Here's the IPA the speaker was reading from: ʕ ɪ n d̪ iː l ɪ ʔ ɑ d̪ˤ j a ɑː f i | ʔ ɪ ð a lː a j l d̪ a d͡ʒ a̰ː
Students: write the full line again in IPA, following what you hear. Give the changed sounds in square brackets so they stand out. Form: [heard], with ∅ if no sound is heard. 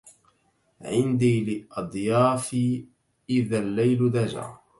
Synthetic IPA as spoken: ʕ ɪ n d̪ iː l ɪ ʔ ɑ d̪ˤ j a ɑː f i | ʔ ɪ ð a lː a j l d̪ a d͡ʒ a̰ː